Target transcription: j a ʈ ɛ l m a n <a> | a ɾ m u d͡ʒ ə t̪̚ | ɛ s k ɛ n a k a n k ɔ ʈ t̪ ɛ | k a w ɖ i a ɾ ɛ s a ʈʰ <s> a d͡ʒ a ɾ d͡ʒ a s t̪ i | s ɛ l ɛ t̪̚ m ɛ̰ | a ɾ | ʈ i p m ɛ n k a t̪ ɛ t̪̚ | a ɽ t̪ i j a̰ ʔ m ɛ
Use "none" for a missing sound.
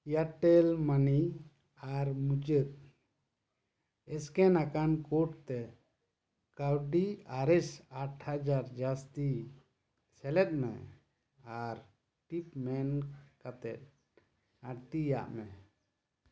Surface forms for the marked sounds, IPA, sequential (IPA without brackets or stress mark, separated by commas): i, h